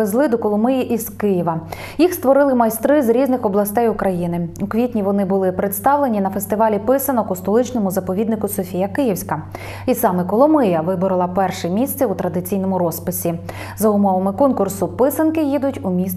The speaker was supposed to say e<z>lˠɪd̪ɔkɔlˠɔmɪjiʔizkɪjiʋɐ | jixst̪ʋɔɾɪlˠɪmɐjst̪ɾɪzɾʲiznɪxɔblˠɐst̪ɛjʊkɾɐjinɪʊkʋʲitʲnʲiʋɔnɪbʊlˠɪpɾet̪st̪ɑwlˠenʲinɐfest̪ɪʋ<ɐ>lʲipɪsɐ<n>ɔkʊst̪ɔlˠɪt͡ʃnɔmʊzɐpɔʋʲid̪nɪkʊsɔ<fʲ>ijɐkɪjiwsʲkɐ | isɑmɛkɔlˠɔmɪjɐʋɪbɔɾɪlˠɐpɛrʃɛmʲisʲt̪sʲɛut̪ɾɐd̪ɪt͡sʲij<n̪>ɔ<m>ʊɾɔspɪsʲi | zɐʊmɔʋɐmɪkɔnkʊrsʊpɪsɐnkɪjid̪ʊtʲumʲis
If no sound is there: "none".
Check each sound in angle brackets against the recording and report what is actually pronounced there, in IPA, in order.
z, ɑ, n, fʲ, n̪, m

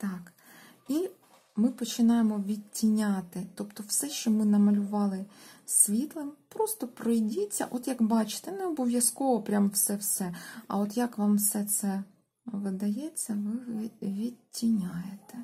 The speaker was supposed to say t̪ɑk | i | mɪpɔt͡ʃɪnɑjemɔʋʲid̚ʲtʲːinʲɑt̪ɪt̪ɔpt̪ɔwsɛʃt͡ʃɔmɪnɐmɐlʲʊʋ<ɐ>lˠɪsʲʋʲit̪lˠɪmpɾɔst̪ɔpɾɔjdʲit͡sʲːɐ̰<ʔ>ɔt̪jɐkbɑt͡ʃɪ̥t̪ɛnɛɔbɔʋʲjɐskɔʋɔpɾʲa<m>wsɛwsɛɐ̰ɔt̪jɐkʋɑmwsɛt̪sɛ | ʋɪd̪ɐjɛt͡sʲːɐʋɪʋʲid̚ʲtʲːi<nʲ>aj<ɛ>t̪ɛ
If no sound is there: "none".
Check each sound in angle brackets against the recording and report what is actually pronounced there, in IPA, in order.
ɑ, ʔ, m, nʲ, e

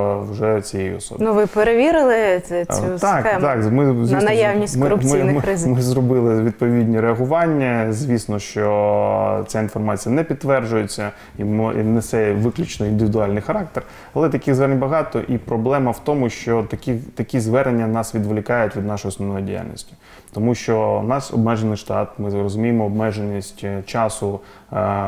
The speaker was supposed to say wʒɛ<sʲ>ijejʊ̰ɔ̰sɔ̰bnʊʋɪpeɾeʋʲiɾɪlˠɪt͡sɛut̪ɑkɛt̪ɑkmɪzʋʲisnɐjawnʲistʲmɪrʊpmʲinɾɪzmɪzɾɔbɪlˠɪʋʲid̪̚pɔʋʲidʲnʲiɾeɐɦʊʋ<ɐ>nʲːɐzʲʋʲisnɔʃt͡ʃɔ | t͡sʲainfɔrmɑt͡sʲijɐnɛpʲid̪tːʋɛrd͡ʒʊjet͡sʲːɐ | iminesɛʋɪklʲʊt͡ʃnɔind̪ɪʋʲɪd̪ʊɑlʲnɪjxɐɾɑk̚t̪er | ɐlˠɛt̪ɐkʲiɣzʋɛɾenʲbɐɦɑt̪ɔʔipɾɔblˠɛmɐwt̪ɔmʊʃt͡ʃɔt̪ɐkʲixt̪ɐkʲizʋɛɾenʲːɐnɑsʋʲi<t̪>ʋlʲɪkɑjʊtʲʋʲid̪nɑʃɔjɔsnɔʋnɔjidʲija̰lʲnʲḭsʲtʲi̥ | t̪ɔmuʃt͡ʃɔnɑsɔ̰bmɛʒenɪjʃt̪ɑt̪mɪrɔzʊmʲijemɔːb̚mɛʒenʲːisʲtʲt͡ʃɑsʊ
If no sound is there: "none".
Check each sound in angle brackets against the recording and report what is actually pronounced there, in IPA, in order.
t͡sʲ, ɑ, d̪

